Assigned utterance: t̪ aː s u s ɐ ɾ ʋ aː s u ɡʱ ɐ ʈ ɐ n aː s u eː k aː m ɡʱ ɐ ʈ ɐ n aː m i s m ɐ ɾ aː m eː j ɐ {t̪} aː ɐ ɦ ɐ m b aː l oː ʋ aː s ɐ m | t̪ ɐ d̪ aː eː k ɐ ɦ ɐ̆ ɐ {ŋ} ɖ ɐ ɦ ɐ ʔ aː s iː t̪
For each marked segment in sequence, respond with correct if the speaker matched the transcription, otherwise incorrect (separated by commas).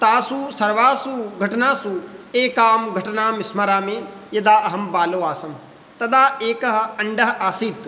incorrect, incorrect